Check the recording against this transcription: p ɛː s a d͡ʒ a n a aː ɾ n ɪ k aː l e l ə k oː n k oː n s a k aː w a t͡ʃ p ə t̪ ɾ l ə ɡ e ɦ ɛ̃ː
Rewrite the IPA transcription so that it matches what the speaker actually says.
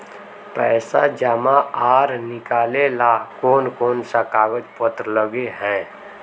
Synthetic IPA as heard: p ɛː s a d͡ʒ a m a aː ɾ n ɪ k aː l e l a k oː n k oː n s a k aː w ə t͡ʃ p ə t̪ ɾ l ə ɡ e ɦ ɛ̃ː